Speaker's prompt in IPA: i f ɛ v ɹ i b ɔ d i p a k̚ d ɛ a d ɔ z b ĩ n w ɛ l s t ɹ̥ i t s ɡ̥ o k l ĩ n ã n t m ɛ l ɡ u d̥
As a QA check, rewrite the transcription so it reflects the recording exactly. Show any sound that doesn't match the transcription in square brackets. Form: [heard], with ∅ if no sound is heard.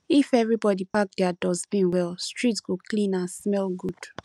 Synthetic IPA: i f ɛ v ɹ i b ɔ d i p a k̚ d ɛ a d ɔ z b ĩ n w ɛ l s t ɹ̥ i t s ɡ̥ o k l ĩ n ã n [s] m ɛ l ɡ u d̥